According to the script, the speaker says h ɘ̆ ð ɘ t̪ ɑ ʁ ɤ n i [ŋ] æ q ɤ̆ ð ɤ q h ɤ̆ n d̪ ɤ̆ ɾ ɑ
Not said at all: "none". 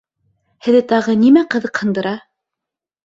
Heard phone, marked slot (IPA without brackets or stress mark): m